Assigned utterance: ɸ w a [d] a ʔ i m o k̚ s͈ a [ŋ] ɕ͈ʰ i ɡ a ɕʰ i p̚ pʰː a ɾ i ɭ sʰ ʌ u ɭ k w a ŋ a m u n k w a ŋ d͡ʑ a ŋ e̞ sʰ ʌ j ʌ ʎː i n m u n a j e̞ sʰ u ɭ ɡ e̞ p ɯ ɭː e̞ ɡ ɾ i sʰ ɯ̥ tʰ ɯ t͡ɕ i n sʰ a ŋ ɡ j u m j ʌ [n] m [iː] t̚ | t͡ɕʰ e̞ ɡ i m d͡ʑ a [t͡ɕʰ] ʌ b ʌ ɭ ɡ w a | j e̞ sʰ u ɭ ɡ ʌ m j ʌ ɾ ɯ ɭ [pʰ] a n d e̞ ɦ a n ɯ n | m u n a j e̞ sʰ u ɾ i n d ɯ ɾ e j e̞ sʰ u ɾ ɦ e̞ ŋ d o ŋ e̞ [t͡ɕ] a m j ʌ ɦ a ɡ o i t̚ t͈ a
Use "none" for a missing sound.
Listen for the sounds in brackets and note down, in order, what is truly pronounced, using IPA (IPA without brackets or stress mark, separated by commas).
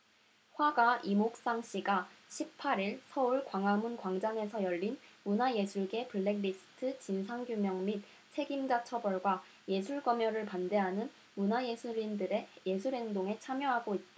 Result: ɡ, ŋ, ŋ, i, t͡ɕʰ, p, t͡ɕʰ